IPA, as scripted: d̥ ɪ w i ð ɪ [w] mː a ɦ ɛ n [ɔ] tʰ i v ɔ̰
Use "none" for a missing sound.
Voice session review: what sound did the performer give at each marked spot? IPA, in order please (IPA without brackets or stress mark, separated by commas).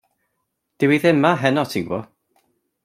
none, ɔ